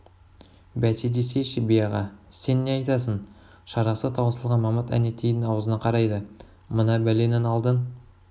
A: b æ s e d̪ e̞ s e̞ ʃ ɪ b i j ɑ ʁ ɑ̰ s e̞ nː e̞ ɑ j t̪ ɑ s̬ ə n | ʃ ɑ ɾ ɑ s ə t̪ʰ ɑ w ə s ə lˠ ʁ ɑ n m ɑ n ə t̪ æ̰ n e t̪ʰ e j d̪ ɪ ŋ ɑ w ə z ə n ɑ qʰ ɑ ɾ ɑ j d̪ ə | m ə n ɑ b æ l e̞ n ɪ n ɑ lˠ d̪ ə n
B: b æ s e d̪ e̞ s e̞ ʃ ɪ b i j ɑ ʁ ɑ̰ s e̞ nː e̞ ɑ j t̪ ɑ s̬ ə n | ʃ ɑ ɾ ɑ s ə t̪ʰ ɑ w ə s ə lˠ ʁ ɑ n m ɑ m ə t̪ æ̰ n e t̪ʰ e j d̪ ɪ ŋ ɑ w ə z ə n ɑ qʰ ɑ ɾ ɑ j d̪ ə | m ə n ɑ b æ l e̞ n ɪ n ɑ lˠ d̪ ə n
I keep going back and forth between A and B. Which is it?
B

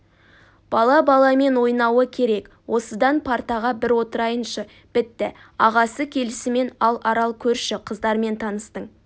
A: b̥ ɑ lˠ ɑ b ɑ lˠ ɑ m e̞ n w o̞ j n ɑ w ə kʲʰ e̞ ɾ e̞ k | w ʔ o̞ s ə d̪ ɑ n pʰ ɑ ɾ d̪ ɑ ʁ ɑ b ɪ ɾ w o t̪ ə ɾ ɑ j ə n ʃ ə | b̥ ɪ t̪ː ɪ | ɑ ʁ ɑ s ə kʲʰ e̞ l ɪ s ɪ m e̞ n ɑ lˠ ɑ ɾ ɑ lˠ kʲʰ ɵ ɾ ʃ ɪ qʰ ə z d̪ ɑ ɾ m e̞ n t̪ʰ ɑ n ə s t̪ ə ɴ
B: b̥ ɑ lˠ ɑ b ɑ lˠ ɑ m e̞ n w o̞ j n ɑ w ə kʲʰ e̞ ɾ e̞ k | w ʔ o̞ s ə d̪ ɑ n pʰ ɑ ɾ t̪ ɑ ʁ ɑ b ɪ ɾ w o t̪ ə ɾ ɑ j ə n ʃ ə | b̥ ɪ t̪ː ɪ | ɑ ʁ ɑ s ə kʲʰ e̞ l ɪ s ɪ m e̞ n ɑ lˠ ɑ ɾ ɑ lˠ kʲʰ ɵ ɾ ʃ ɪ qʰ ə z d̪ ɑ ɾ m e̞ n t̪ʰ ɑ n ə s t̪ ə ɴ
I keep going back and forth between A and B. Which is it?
B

